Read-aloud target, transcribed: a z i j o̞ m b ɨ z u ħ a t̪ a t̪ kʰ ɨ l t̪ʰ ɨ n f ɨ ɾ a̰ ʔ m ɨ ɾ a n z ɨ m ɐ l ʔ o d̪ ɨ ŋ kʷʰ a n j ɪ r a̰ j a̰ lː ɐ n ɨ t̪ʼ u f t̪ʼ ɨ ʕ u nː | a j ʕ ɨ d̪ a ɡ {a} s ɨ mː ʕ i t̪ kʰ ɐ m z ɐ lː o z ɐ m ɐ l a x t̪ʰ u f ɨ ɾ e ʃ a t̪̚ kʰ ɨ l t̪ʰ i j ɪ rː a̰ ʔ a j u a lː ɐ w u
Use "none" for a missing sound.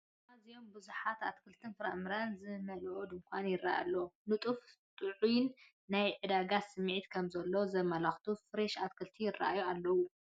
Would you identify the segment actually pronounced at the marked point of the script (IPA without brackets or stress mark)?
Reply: a